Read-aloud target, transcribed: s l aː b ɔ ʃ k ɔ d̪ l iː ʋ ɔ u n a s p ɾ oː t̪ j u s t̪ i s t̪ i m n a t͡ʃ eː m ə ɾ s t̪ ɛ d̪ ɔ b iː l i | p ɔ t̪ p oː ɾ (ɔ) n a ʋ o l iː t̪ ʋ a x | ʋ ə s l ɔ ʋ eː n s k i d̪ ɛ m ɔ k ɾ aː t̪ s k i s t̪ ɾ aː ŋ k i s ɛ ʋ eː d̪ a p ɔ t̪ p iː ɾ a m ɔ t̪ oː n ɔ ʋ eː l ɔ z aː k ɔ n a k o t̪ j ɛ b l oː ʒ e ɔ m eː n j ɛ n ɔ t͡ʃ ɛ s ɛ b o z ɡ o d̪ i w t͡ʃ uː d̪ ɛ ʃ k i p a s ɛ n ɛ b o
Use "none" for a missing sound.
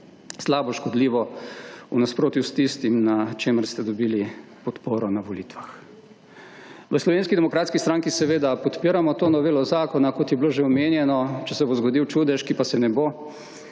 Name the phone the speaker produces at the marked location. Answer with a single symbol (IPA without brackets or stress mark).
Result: ɔ